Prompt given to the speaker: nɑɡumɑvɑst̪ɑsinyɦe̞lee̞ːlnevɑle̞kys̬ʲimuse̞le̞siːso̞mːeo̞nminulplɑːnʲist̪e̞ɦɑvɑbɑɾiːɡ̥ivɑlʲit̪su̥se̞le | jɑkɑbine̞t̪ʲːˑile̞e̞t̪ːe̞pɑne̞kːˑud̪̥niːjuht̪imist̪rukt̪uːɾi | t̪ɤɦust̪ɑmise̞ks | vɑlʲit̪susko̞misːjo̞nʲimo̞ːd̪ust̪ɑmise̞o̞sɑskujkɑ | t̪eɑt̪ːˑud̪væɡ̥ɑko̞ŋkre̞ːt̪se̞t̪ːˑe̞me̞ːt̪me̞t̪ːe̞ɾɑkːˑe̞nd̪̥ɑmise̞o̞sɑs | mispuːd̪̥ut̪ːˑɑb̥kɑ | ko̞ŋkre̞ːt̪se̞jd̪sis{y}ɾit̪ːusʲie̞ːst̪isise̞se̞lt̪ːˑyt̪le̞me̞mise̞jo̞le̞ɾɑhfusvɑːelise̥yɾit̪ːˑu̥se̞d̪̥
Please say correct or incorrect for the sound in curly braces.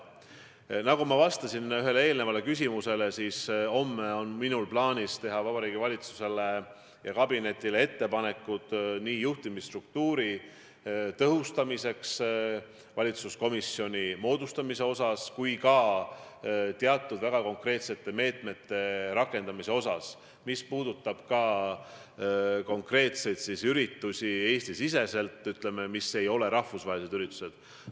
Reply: correct